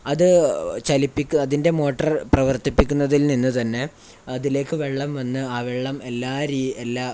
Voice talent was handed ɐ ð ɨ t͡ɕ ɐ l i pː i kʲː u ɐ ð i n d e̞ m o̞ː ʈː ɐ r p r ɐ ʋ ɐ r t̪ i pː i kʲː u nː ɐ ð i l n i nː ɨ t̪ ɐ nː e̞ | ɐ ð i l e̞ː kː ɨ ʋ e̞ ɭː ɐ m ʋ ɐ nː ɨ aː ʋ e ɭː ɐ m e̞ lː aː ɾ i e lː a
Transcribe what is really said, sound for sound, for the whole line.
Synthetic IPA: ɐ ð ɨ t͡ɕ ɐ l i pː i kʲː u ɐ ð i n d e̞ m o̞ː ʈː ɐ r p r ɐ ʋ ɐ r t̪ i pː i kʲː u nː ɐ ð i l n i nː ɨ t̪ ɐ nː e̞ | ɐ ð i l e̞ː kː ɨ ʋ e̞ ɭː ɐ m ʋ ɐ nː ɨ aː ʋ e ɭː ɐ m e̞ lː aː ɾ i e lː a